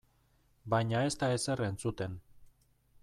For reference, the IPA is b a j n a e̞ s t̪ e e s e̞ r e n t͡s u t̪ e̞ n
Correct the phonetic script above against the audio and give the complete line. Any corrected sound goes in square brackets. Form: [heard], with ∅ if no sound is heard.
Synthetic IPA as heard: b a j [ɲ] a e̞ s t̪ [a] e s e̞ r e n t͡s u t̪ e̞ n

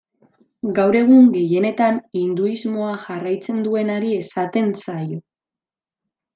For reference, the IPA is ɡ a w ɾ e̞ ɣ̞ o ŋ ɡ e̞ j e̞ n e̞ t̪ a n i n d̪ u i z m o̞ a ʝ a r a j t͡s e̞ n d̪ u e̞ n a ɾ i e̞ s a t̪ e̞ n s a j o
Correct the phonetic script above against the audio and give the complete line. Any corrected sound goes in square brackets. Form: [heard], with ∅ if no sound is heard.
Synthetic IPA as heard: ɡ a w ɾ e̞ ɣ̞ [u] ŋ ɡ e̞ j e̞ n e̞ t̪ a n i n d̪ u i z m o̞ a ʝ a r a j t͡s e̞ n d̪ u e̞ n a ɾ i e̞ s a t̪ e̞ n s a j o

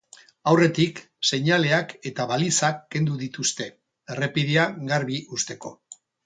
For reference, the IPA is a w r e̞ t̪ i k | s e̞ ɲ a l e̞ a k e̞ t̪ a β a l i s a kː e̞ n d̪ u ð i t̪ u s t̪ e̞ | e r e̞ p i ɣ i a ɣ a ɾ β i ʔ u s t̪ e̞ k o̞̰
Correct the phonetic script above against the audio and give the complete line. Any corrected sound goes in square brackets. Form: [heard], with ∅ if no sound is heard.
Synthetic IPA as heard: a w r e̞ t̪ i k | s e̞ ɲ a l e̞ a k e̞ t̪ a β a l i s a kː e̞ n d̪ u ð i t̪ u s t̪ e̞ | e r e̞ p i [ð] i a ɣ a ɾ β i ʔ u s t̪ e̞ k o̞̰

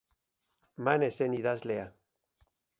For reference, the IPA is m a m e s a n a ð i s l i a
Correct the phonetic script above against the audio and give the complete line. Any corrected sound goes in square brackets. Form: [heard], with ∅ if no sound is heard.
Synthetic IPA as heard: m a [n] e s [e] n [i] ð [a] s l [e] a

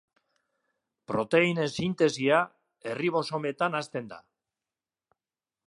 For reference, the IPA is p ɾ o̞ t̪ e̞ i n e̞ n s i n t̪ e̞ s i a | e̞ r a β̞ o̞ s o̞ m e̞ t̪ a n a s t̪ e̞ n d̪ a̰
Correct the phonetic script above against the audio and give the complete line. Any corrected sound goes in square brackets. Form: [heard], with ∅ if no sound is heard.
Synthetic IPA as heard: p ɾ o̞ t̪ e̞ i n e̞ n s i n t̪ e̞ s i a | e̞ r [i] β̞ o̞ s o̞ m e̞ t̪ a n a s t̪ e̞ n d̪ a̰

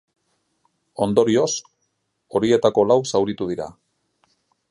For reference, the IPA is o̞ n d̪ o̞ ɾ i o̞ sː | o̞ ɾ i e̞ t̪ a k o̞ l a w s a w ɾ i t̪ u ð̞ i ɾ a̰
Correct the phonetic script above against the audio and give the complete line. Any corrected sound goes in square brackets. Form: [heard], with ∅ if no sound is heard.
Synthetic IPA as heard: o̞ n d̪ o̞ ɾ i o̞ [s] | o̞ ɾ i e̞ t̪ a k o̞ l a w s a w ɾ i t̪ u ð̞ i ɾ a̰

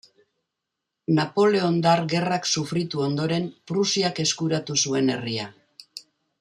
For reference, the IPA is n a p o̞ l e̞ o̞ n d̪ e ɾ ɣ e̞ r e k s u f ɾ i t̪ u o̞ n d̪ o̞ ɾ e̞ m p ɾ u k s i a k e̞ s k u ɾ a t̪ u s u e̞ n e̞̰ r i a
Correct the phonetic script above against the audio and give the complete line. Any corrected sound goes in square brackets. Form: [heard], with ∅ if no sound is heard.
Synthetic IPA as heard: n a p o̞ l e̞ o̞ n d̪ [a] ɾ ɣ e̞ r [a] k s u f ɾ i t̪ u o̞ n d̪ o̞ ɾ e̞ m p ɾ u [∅] s i a k e̞ s k u ɾ a t̪ u s u e̞ n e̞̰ r i a

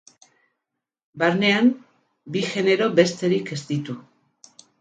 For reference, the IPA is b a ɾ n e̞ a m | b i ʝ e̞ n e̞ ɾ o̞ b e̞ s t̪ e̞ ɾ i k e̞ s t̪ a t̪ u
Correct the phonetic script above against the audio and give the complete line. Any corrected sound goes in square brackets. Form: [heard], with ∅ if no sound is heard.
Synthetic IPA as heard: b a ɾ n e̞ a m | b i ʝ e̞ n e̞ ɾ o̞ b e̞ s t̪ e̞ ɾ i k e̞ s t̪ [i] t̪ u

